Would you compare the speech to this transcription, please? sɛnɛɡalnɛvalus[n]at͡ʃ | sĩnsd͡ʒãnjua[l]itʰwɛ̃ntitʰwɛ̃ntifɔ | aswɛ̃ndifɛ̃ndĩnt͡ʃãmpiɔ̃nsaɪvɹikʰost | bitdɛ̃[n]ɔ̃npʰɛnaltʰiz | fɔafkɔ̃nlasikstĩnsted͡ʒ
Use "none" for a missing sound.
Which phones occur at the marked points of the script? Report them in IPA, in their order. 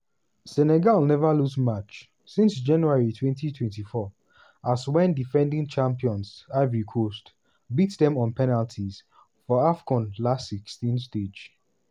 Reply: m, ɹ, m

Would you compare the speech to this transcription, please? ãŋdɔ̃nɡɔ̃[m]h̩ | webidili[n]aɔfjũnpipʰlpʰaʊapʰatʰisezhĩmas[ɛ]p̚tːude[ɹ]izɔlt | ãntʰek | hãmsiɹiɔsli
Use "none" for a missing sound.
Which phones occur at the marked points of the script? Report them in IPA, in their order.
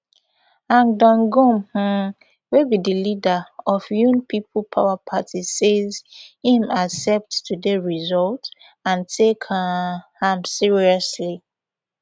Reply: m, d, ɛ, ɹ

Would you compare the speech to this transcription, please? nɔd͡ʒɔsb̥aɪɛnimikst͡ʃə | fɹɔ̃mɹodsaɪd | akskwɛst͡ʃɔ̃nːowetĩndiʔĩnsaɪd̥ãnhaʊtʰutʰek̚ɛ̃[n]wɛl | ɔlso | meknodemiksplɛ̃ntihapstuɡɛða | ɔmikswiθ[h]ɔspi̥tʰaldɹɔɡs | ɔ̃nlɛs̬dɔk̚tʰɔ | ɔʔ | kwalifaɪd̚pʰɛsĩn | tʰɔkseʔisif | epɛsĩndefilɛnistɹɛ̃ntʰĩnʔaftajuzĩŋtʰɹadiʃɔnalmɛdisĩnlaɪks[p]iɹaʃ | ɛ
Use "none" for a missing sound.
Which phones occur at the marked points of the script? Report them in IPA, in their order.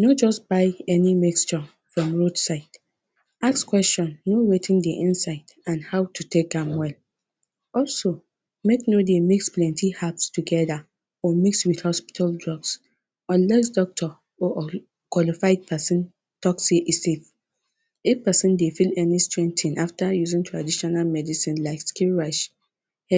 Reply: m, h, k

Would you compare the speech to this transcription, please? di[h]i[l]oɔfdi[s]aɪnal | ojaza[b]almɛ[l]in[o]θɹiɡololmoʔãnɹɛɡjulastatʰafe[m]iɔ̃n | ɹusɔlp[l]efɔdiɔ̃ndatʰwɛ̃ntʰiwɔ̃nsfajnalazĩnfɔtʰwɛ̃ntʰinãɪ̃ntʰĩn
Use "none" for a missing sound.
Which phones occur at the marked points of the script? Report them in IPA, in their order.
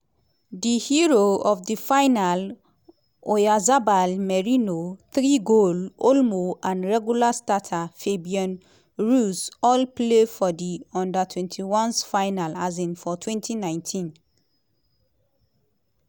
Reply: h, ɹ, f, b, ɹ, o, b, l

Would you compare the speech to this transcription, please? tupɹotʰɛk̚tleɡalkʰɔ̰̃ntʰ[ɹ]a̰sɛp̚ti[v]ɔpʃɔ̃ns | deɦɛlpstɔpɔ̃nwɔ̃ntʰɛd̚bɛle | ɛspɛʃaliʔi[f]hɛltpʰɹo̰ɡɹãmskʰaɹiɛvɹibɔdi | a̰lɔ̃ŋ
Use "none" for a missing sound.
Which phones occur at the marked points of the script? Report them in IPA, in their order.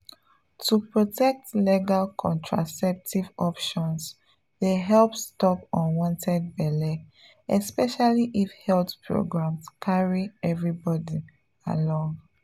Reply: ɹ, v, f

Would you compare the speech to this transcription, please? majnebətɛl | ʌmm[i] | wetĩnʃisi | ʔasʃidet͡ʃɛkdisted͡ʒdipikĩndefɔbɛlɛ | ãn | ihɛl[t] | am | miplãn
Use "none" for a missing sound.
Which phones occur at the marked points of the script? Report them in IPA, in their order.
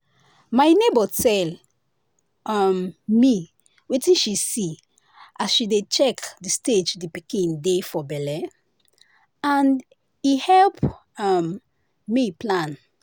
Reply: i, p

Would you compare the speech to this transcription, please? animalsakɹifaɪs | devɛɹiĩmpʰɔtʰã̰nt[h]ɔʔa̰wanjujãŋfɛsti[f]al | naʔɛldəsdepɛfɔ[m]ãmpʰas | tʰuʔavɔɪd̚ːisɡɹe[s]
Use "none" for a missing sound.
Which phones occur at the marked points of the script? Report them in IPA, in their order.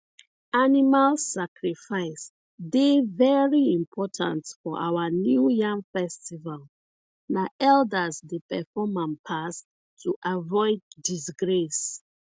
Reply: f, v, m, s

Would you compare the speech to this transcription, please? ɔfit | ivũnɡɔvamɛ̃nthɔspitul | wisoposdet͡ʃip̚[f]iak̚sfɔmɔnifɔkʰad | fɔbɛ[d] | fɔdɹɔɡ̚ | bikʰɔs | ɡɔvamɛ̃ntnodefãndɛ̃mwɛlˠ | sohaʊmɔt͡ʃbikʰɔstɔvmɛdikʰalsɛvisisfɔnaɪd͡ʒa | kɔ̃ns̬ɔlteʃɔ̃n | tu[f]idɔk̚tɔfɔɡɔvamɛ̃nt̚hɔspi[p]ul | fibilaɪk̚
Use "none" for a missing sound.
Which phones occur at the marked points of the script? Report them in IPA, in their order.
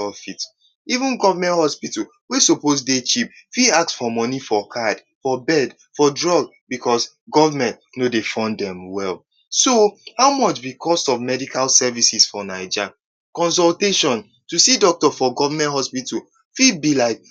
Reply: f, d, s, t

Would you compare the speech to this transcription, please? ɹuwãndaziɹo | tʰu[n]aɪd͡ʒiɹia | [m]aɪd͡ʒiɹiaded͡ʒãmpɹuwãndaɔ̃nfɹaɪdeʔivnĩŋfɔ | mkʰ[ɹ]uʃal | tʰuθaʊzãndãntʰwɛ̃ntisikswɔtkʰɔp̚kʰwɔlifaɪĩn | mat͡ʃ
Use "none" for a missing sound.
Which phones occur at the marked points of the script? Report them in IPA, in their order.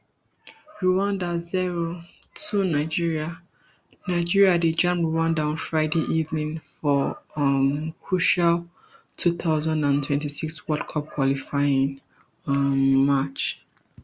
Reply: n, n, ɹ

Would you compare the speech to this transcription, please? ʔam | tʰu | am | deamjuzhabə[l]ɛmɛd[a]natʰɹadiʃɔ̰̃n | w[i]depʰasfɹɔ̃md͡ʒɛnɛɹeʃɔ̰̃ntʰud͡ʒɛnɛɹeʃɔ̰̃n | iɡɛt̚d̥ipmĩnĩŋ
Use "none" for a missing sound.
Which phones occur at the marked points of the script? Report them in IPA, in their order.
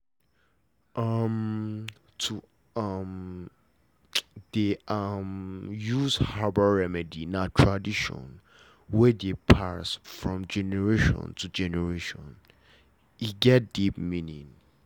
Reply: ɹ, i, ɛ

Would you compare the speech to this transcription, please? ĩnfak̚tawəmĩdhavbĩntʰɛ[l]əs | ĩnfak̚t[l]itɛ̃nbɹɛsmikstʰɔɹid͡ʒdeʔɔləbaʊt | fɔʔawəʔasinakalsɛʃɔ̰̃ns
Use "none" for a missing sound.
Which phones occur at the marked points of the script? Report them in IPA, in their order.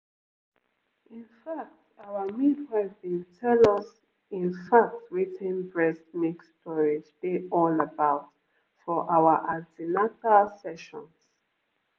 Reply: l, ɹ

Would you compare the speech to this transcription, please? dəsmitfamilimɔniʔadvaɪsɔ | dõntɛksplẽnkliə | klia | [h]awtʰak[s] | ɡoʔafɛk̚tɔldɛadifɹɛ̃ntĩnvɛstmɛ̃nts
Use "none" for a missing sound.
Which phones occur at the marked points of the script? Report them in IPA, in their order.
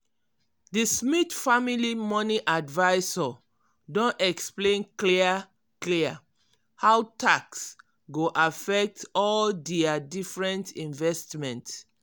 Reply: h, s

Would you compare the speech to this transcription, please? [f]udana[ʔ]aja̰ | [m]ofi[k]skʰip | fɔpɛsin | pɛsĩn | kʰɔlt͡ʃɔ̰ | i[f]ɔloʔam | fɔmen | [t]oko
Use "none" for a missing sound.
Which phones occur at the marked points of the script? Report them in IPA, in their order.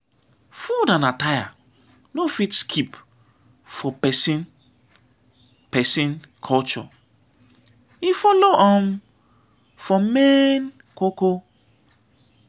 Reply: f, t, n, t, f, k

